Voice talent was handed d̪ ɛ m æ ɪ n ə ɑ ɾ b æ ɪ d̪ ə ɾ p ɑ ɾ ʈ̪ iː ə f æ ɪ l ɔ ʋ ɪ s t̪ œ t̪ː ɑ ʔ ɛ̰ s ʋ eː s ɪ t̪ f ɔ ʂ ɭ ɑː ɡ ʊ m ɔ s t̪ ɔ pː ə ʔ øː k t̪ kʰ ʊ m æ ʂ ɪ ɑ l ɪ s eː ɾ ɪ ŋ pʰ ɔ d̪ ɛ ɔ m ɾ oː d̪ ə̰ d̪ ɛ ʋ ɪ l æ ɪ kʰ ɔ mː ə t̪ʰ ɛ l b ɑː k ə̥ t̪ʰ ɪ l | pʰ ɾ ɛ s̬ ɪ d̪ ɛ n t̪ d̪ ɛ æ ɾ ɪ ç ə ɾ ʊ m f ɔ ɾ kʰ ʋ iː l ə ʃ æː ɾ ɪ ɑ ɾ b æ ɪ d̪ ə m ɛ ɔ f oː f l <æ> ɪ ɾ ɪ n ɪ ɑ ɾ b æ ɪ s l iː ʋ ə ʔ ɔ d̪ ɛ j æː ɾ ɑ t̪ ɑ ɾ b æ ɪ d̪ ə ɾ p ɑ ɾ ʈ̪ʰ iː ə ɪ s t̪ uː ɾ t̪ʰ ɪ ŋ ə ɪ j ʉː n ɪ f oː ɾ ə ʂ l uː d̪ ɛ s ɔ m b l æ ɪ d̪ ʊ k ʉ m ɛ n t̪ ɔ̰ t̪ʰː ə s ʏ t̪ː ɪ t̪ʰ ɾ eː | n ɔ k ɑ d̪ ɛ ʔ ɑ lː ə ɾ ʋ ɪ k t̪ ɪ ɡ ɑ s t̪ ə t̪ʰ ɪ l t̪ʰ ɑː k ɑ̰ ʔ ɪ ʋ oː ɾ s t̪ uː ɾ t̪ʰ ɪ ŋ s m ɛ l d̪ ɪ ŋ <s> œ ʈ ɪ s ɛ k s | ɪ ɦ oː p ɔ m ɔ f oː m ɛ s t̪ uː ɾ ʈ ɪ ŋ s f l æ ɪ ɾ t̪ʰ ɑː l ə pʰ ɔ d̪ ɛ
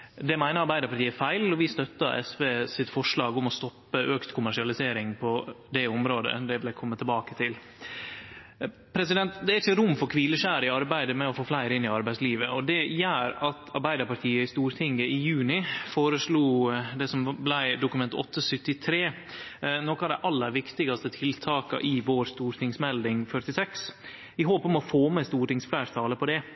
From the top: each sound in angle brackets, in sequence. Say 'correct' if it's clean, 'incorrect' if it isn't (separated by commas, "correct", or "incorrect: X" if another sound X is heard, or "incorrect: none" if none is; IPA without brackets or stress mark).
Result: correct, incorrect: f